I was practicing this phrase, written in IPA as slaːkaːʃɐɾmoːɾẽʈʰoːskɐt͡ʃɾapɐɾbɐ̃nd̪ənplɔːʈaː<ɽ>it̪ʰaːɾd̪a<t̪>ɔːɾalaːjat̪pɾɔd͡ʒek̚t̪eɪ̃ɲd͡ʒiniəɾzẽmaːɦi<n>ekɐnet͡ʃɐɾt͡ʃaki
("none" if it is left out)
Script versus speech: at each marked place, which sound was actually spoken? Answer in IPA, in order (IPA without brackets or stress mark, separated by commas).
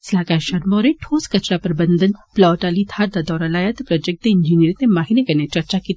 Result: l, d̪, n